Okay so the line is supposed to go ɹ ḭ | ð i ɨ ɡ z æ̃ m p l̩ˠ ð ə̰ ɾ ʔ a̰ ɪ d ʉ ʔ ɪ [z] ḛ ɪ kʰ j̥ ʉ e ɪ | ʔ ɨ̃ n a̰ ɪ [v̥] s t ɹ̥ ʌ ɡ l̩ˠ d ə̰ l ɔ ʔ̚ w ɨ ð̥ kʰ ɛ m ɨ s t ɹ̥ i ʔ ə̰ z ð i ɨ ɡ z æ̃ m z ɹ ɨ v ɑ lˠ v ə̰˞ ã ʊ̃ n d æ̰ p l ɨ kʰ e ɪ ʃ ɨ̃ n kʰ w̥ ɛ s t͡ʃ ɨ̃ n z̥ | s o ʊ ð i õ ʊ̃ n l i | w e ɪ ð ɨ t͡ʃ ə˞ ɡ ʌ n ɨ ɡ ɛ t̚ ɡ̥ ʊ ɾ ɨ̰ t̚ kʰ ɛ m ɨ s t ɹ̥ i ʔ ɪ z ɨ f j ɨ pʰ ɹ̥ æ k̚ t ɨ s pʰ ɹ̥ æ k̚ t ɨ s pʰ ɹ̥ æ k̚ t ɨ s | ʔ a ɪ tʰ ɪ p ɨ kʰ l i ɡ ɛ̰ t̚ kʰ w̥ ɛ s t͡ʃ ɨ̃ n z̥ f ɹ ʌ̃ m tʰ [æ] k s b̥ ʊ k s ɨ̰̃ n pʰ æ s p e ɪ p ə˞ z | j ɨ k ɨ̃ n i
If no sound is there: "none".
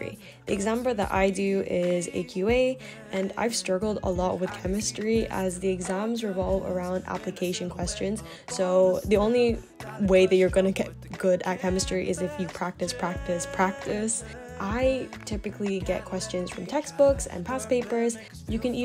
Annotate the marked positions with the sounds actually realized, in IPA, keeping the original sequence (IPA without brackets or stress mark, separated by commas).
z, v̥, ɛ